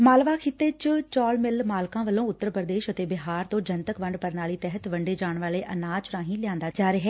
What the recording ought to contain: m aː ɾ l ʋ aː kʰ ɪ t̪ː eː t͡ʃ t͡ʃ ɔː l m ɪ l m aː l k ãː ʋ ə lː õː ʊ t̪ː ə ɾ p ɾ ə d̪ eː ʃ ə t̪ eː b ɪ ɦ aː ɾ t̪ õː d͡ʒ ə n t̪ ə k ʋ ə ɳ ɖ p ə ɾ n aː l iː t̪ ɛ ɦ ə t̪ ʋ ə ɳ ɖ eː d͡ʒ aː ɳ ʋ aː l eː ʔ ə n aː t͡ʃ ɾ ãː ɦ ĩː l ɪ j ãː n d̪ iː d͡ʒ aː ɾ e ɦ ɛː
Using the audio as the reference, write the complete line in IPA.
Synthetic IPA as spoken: m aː l ʋ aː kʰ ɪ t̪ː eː t͡ʃ t͡ʃ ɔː l m ɪ l m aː l k ãː ʋ ə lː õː ʊ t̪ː ə ɾ p ɾ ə d̪ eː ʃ ə t̪ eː b ɪ ɦ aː ɾ t̪ õː d͡ʒ ə n t̪ ə k ʋ ə ɳ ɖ p ə ɾ n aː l iː t̪ ɛ ɦ ə t̪ ʋ ə ɳ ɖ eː d͡ʒ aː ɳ ʋ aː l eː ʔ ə n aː t͡ʃ ɾ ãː ɦ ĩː l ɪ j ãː n d̪ aː d͡ʒ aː ɾ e ɦ ɛː

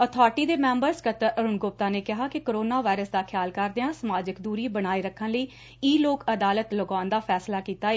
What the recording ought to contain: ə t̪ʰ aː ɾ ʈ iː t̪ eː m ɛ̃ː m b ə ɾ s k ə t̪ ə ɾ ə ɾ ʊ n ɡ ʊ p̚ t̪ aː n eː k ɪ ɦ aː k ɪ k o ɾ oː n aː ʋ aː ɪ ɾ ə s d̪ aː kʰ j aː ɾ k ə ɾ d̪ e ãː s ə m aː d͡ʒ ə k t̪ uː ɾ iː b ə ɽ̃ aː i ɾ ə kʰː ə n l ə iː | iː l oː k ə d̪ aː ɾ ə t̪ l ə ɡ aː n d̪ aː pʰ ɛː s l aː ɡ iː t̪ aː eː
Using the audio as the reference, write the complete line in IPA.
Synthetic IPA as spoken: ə t̪ʰ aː ɾ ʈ iː d̪ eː m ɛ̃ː m b ə ɾ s k ə t̪ ə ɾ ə ɾ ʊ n ɡ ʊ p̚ t̪ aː n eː k ɪ ɦ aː k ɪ k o ɾ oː n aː ʋ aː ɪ ɾ ə s d̪ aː kʰ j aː l k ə ɾ d̪ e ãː s ə m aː d͡ʒ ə k d̪ uː ɾ iː b ə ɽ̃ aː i ɾ ə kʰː ə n l ə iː | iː l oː k ə d̪ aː l ə t̪ l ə ɡ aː n d̪ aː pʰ ɛː s l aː k iː t̪ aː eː

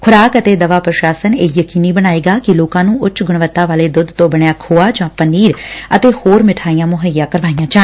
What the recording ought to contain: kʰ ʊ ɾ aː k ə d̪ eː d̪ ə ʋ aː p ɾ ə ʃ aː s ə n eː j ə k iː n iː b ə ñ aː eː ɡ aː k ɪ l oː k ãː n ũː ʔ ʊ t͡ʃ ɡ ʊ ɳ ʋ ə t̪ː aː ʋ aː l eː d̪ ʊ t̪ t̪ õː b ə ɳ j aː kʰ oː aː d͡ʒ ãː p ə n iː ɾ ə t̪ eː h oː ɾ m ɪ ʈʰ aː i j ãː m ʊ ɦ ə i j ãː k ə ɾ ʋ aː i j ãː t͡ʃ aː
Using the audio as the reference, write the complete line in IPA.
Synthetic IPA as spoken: kʰ ʊ ɾ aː k ə t̪ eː d̪ ə ʋ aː p ɾ ə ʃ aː s ə n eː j ə k iː n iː b ə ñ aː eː ɡ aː k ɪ l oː k ãː n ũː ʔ ʊ t͡ʃ ɡ ʊ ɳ ʋ ə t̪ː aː ʋ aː l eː d̪ ʊ d̪ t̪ õː b ə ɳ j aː kʰ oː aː d͡ʒ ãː p ə n iː ɾ ə t̪ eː h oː ɾ m ɪ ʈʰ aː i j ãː m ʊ ɦ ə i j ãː k ə ɾ ʋ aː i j ãː t͡ʃ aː

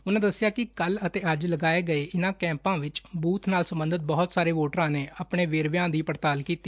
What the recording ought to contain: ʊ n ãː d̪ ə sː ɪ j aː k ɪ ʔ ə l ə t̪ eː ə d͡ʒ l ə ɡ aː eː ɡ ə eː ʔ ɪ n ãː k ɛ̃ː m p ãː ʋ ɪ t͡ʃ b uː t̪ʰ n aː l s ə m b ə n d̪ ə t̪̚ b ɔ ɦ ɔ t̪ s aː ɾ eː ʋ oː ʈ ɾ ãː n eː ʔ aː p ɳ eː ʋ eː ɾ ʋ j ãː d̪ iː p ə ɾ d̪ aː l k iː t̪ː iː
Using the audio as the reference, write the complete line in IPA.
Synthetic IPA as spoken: ʊ n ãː d̪ ə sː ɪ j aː k ɪ k ə l ə t̪ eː ə d͡ʒ l ə ɡ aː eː ɡ ə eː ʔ ɪ n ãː k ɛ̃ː m p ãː ʋ ɪ t͡ʃ b uː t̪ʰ n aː l s ə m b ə n d̪ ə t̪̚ b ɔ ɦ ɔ t̪ s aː ɾ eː ʋ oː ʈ ɾ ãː n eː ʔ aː p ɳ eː ʋ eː ɾ ʋ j ãː d̪ iː p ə ɾ t̪ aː l k iː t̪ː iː

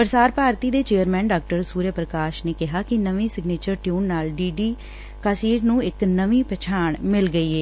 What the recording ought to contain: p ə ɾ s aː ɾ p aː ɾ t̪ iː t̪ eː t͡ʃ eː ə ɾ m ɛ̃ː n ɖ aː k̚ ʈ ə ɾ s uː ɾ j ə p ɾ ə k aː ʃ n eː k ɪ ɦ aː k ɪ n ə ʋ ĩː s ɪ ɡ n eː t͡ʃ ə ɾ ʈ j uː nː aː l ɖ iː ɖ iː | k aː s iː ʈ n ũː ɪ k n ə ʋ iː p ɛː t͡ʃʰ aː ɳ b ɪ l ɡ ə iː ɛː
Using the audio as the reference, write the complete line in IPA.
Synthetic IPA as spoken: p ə ɾ s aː ɾ p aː ɾ t̪ iː d̪ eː t͡ʃ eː ə ɾ m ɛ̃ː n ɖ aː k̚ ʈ ə ɾ s uː ɾ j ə p ɾ ə k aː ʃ n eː k ɪ ɦ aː k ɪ n ə ʋ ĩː s ɪ ɡ n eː t͡ʃ ə ɾ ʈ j uː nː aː l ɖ iː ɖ iː | k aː s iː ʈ n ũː ɪ k n ə ʋ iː p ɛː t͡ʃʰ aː ɳ m ɪ l ɡ ə iː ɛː

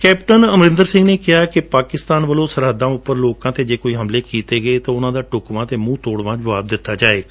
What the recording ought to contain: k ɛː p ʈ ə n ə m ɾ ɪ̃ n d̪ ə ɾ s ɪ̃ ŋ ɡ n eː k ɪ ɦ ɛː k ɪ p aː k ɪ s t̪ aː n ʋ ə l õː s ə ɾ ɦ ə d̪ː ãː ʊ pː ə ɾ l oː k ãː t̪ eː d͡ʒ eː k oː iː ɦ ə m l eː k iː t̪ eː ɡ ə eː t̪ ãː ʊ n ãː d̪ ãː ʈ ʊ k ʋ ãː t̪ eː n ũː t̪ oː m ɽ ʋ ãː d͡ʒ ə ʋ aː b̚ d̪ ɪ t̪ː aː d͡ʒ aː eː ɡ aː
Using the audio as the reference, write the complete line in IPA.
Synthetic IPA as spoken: k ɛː p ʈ ə n ə m ɾ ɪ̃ n d̪ ə ɾ s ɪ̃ ŋ ɡ n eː k ɪ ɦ aː k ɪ p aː k ɪ s t̪ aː n ʋ ə l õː s ə ɾ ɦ ə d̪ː ãː ʊ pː ə ɾ l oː k ãː t̪ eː d͡ʒ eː k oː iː ɦ ə m l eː k iː t̪ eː ɡ ə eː t̪ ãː ʊ n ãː d̪ aː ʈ ʊ k ʋ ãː t̪ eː m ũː t̪ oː ɽ ʋ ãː d͡ʒ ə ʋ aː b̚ d̪ ɪ t̪ː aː d͡ʒ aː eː ɡ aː

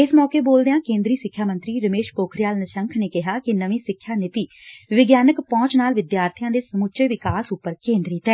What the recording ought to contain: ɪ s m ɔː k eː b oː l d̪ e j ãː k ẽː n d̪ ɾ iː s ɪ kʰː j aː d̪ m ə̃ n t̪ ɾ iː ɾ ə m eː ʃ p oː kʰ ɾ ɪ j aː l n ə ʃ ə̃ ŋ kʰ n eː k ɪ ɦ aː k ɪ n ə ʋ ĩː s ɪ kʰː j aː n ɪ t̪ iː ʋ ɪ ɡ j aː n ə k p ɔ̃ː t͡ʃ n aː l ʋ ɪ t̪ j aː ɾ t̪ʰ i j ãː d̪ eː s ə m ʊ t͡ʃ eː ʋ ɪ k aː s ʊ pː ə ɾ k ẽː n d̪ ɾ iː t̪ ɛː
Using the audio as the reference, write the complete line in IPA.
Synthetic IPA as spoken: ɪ s m ɔː k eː b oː l d̪ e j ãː k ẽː n d̪ ɾ iː s ɪ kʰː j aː m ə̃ n t̪ ɾ iː ɾ ə m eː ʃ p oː kʰ ɾ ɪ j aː l n ə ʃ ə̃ ŋ kʰ n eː k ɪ ɦ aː k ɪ n ə ʋ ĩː s ɪ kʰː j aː n ɪ t̪ iː ʋ ɪ ɡ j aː n ə k p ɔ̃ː t͡ʃ n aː l ʋ ɪ d̪ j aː ɾ t̪ʰ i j ãː d̪ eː s ə m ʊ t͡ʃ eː ʋ ɪ k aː s ʊ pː ə ɾ k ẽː n d̪ ɾ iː t̪ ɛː

